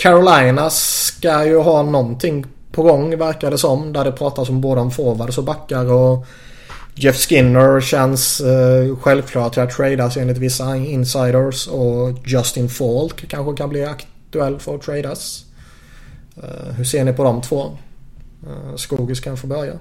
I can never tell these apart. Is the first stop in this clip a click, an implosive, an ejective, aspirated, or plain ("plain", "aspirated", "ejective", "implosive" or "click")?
aspirated